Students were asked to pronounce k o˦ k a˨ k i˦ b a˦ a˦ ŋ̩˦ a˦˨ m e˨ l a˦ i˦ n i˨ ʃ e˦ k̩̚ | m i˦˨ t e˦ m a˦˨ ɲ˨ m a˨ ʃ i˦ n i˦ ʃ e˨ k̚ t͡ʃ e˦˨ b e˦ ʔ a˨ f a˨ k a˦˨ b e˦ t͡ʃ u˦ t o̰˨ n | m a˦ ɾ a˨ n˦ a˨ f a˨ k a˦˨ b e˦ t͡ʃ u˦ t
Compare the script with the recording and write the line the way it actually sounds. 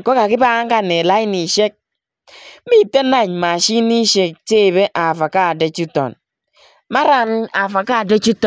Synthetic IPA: k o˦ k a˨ k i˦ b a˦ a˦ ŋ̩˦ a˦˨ n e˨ l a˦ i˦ n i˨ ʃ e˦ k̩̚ | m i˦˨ t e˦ n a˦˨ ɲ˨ m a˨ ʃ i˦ n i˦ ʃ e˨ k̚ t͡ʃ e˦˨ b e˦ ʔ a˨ f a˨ k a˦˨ d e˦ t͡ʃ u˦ t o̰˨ n | m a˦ ɾ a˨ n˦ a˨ f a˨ k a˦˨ d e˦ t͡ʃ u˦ t

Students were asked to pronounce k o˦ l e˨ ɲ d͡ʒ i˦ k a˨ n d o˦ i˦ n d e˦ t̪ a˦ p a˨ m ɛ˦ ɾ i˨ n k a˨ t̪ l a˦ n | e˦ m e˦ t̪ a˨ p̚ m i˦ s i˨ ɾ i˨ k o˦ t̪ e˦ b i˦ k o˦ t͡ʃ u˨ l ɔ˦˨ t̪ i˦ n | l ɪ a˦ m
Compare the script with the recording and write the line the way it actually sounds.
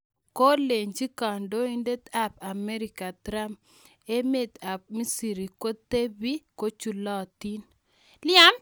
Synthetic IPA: k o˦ l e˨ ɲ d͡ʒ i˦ k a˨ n d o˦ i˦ n d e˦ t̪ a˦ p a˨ m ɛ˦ ɾ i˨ k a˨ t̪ ɾ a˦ m | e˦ m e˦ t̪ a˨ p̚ m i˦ s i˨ ɾ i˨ k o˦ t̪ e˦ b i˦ k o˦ t͡ʃ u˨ l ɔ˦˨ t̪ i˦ n | l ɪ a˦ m

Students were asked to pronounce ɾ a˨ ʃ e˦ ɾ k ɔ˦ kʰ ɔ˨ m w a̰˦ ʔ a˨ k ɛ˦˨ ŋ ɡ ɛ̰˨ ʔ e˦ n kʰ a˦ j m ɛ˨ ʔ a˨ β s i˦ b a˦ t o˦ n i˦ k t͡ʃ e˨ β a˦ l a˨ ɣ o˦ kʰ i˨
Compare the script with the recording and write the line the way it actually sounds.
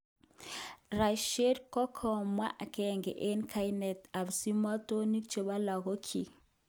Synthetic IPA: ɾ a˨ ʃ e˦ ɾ k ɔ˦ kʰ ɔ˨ m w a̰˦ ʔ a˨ k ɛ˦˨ ŋ ɡ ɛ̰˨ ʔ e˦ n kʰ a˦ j n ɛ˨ t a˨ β s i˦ m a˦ t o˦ n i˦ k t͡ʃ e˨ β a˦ l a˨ ɣ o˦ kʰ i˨

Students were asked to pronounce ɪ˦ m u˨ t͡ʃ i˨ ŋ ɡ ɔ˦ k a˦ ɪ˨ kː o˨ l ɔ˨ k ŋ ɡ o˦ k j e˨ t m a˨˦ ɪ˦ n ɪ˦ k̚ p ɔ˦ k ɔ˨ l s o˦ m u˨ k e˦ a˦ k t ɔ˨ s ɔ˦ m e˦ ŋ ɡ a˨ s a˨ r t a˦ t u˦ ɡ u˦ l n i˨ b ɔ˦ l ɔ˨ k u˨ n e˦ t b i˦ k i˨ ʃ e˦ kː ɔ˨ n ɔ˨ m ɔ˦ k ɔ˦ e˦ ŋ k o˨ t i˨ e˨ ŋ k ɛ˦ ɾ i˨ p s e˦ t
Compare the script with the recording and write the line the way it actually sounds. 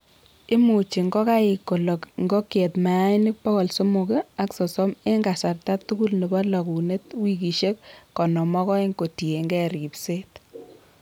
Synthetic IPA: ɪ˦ m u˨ t͡ʃ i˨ ŋ ɡ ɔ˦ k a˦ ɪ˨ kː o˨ l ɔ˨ k ŋ ɡ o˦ k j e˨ t m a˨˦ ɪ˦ n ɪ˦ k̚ p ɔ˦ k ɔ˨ l s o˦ m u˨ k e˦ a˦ k s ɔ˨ s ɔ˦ m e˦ ŋ ɡ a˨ s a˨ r t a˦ t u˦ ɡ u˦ l n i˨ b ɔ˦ l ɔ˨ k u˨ n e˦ t w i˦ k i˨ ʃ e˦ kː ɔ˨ n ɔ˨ m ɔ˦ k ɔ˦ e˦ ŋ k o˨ t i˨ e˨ ŋ ɡ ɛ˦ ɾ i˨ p s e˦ t

